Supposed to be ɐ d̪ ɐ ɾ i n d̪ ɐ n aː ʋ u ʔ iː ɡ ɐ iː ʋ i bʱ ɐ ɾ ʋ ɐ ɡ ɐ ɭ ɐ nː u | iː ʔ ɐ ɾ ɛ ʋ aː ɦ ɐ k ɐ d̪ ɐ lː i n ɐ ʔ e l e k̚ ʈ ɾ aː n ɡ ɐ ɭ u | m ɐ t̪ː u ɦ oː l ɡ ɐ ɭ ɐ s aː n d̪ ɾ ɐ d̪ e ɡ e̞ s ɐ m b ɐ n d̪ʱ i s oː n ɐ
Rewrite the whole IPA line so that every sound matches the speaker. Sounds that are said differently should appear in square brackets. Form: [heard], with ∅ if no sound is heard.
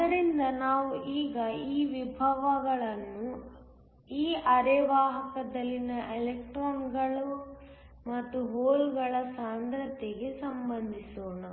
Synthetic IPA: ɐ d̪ ɐ ɾ i n d̪ ɐ n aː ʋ u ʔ iː ɡ ɐ iː ʋ i bʱ ɐ [∅] ʋ ɐ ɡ ɐ ɭ ɐ nː u | iː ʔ ɐ ɾ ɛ ʋ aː ɦ ɐ k ɐ d̪ ɐ lː i n ɐ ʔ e l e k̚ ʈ ɾ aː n ɡ ɐ ɭ u | m ɐ t̪ː u ɦ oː l ɡ ɐ ɭ ɐ s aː n d̪ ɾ ɐ [t̪] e ɡ e̞ s ɐ m b ɐ n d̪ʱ i s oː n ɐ

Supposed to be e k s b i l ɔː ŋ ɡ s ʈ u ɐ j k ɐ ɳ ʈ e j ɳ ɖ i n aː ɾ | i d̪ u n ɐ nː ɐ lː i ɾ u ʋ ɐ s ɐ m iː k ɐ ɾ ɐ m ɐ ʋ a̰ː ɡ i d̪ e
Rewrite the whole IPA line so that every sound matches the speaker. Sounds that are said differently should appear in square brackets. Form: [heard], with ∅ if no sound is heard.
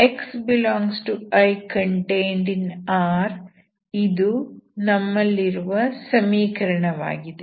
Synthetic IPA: e k s b i l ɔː ŋ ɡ s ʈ u ɐ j k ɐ ɳ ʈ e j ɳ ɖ i n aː ɾ | i d̪ u n ɐ [mː] ɐ lː i ɾ u ʋ ɐ s ɐ m iː k ɐ ɾ ɐ [ɳ] ɐ ʋ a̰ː ɡ i d̪ e

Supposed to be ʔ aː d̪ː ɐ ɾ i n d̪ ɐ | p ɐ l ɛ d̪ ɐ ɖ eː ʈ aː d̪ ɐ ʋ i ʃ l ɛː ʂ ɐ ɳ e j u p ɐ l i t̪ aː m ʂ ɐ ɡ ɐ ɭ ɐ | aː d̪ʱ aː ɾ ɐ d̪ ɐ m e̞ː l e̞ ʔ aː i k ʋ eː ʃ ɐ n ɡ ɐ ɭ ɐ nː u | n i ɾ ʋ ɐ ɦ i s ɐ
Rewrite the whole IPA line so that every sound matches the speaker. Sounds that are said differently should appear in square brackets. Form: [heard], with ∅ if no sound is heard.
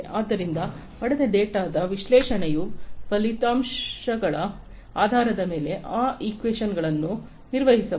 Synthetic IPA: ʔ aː d̪ː ɐ ɾ i n d̪ ɐ | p ɐ [ɽ] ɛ d̪ ɐ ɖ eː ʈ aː d̪ ɐ ʋ i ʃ l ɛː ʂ ɐ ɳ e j u p ɐ l i t̪ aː m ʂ ɐ ɡ ɐ ɭ ɐ | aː d̪ʱ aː ɾ ɐ d̪ ɐ m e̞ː l e̞ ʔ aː i k ʋ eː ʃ ɐ n ɡ ɐ ɭ ɐ nː u | n i ɾ ʋ ɐ ɦ i s ɐ

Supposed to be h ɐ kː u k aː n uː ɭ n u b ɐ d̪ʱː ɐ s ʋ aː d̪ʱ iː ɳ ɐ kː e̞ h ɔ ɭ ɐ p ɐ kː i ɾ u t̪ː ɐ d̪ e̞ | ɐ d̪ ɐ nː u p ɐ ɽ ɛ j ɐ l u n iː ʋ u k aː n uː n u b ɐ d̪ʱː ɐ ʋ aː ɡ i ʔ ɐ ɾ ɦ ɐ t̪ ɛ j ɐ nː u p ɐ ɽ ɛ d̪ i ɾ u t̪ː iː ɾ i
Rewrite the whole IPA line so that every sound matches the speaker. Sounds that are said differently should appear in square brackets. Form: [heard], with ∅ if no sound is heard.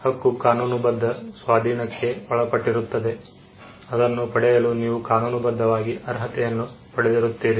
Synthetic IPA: h ɐ kː u k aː n uː [∅] n u b ɐ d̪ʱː ɐ s ʋ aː d̪ʱ iː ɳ ɐ kː e̞ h ɔ ɭ ɐ p ɐ [ʈː] i ɾ u t̪ː ɐ d̪ e̞ | ɐ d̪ ɐ nː u p ɐ ɽ ɛ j ɐ l u n iː ʋ u k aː n uː n u b ɐ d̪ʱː ɐ ʋ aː ɡ i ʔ ɐ ɾ ɦ ɐ t̪ ɛ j ɐ nː u p ɐ ɽ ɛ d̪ i ɾ u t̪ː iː ɾ i

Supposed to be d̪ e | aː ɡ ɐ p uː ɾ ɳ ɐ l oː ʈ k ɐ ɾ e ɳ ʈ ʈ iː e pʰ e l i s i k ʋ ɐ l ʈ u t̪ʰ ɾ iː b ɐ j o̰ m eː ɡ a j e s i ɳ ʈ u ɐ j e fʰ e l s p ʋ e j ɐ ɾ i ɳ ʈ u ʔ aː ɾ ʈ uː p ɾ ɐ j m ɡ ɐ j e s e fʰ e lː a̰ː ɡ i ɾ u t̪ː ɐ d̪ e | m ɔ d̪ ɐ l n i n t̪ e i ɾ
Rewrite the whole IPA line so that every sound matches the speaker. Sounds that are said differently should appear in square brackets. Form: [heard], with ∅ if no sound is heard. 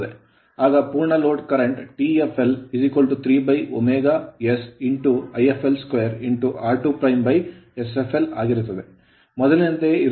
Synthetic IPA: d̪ e | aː ɡ ɐ p uː ɾ ɳ ɐ l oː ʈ k ɐ ɾ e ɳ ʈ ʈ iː e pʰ e l i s i k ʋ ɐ l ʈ u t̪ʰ ɾ iː b ɐ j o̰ m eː ɡ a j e s i ɳ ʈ u ɐ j e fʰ e l s [k] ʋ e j ɐ ɾ i ɳ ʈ u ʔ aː ɾ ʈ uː p ɾ ɐ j m [b] ɐ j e s e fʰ e [l] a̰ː ɡ i ɾ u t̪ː ɐ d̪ e | m ɔ d̪ ɐ l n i n t̪ e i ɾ

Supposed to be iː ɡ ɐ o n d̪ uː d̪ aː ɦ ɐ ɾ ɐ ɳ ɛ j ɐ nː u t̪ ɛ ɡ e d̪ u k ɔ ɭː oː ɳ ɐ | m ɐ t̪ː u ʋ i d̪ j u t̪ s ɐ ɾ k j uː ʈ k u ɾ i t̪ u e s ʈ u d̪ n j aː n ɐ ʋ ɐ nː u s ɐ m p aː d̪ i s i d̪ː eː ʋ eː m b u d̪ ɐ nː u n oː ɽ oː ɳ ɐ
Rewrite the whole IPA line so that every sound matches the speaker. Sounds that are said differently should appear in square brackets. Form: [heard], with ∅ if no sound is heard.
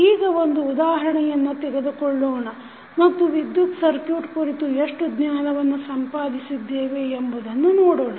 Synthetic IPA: iː ɡ ɐ o n d̪ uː d̪ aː ɦ ɐ ɾ ɐ ɳ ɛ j ɐ nː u t̪ ɛ ɡ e d̪ u k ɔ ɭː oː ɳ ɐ | m ɐ t̪ː u ʋ i d̪ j u t̪ s ɐ ɾ k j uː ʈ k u ɾ i t̪ u e [ʂ] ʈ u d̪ n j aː n ɐ ʋ ɐ nː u s ɐ m p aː d̪ i s i d̪ː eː ʋ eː m b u d̪ ɐ nː u n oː ɽ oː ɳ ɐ

